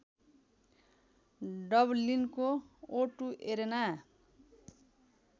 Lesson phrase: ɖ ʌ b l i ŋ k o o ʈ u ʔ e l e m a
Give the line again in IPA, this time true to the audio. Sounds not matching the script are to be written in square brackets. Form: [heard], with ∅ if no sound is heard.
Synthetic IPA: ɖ ʌ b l i [n] k o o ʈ u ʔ e [ɾ] e [n] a